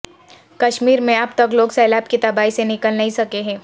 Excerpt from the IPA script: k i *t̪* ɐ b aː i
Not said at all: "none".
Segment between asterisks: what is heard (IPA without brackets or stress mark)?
t̪